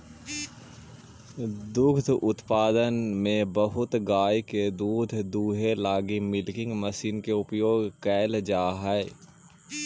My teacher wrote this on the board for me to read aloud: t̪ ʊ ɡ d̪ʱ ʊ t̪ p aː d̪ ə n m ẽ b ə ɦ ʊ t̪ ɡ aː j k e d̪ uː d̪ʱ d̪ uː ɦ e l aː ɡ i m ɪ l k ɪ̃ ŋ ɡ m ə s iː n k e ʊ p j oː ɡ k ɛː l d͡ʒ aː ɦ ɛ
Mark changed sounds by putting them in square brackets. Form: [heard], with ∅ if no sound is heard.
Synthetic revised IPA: [d̪] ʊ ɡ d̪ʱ ʊ t̪ p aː d̪ ə n m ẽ b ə ɦ ʊ t̪ ɡ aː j k e d̪ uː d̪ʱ d̪ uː ɦ e l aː ɡ i m ɪ l k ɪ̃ ŋ ɡ m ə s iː n k e ʊ p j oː ɡ k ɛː l d͡ʒ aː ɦ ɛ

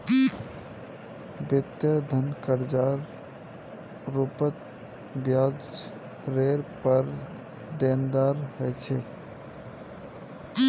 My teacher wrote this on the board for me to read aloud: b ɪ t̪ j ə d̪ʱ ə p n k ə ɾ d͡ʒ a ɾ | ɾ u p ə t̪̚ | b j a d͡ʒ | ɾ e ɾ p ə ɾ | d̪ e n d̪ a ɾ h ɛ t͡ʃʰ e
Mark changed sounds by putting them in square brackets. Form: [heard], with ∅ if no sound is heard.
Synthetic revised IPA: b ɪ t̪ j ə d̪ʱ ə [∅] n k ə ɾ d͡ʒ a ɾ | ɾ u p ə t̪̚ | b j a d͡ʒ | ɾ e ɾ p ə ɾ | d̪ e n d̪ a ɾ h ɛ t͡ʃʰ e

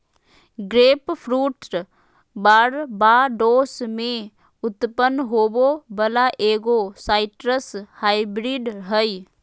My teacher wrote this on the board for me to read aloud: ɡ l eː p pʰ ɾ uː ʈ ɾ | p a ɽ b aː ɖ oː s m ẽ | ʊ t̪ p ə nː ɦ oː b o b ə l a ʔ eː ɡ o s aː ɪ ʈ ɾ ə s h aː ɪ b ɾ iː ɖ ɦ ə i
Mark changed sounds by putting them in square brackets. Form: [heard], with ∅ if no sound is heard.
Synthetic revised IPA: ɡ [ɾ] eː p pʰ ɾ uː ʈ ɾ | [b] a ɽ b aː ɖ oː s m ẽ | ʊ t̪ p ə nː ɦ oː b o b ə l a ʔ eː ɡ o s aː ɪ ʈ ɾ ə s h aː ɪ b ɾ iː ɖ ɦ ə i

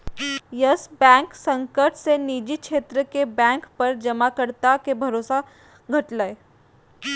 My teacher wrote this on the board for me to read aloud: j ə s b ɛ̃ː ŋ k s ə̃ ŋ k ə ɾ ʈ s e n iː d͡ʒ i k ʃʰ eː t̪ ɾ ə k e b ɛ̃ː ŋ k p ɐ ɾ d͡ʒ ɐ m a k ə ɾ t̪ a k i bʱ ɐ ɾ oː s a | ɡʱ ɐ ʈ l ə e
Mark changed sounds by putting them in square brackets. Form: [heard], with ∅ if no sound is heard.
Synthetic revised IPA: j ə s b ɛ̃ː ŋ k s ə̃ ŋ k ə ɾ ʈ s e n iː d͡ʒ i k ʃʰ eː t̪ ɾ ə k e b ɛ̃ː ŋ k p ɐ ɾ d͡ʒ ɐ m a k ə ɾ t̪ a k [e] bʱ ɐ ɾ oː s a | ɡʱ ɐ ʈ l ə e

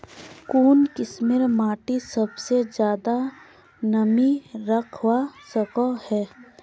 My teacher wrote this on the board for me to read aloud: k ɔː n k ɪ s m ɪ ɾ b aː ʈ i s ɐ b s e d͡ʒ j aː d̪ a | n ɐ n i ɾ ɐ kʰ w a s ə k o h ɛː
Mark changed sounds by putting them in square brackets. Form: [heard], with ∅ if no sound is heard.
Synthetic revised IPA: k [uː] n k ɪ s m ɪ ɾ [m] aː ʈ i s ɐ b s e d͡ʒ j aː d̪ a | n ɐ [m] i ɾ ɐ kʰ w a s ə k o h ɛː

